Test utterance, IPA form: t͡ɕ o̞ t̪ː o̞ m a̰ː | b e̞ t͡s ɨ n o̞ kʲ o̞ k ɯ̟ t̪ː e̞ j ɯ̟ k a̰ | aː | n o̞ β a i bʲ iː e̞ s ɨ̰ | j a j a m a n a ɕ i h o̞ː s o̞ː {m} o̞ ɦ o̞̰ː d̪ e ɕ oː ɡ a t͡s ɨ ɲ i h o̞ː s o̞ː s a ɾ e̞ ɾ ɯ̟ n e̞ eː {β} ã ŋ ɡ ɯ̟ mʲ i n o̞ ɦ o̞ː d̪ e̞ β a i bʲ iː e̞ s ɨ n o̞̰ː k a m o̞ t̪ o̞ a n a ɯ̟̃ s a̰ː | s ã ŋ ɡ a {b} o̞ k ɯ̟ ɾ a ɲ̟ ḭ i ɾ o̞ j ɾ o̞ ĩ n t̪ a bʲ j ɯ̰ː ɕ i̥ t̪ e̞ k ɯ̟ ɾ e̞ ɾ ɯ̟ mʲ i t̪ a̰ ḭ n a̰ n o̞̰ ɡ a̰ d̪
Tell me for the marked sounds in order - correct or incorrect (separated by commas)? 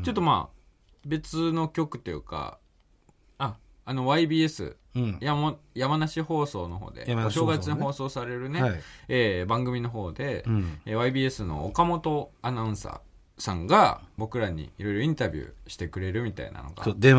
incorrect, incorrect, correct